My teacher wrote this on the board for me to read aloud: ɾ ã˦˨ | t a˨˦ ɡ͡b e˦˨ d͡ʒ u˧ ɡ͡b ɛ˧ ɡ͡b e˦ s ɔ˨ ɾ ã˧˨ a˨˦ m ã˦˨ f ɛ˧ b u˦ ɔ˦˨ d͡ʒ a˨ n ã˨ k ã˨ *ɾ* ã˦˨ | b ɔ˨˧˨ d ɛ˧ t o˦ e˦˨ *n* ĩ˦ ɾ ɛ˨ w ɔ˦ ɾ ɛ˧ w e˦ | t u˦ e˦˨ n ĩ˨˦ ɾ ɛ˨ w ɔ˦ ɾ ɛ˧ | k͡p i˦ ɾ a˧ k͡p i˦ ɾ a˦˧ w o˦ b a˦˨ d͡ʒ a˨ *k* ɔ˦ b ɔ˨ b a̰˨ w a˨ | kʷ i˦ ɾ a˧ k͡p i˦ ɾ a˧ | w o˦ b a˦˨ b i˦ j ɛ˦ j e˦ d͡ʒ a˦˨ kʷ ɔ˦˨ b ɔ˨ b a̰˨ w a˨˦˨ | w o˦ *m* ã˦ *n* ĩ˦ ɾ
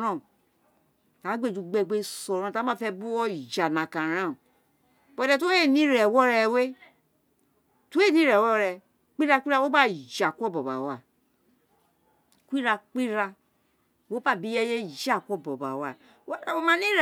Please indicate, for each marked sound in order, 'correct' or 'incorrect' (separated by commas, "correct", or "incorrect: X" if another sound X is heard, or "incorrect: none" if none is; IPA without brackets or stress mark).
correct, correct, correct, correct, correct